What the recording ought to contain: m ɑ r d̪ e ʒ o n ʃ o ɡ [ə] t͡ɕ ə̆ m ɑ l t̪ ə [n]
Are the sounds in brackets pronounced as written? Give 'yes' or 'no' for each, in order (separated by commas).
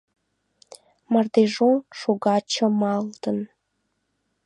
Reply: no, yes